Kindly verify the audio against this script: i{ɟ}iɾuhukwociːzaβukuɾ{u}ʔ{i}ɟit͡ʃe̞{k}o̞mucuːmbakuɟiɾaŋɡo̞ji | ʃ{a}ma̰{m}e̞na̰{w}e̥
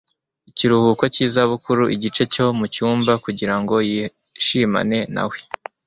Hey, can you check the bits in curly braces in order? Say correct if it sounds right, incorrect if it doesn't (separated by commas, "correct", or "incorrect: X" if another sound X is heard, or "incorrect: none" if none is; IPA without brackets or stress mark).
incorrect: c, correct, correct, incorrect: c, incorrect: i, incorrect: n, correct